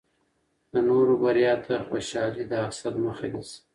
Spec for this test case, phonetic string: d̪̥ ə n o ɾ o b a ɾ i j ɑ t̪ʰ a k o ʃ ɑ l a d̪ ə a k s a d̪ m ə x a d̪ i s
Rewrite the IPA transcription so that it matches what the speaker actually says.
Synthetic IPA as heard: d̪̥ ə n o ɾ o b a ɾ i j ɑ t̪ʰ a x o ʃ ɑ l i d̪ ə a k s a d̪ m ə x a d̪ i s